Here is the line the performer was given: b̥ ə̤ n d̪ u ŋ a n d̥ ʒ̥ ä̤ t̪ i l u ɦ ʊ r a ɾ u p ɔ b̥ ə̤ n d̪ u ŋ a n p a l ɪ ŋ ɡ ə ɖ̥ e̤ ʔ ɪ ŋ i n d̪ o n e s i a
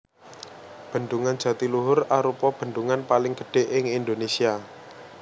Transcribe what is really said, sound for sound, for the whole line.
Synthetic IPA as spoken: b̥ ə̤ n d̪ u ŋ a n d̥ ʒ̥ ä̤ t̪ i l u ɦ ʊ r a ɾ u p ɔ b̥ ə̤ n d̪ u ŋ a n p a l ɪ ŋ ɡ ə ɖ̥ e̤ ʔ ɪ ŋ i n d̪ o n e s i a